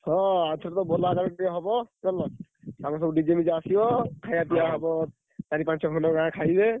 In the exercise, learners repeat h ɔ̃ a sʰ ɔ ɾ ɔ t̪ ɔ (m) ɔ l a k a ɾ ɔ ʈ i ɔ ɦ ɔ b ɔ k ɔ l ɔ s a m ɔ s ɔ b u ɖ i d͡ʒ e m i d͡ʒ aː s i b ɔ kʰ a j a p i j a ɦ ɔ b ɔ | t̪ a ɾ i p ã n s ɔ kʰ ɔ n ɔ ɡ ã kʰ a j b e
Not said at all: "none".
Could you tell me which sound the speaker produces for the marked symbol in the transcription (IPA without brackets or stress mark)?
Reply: b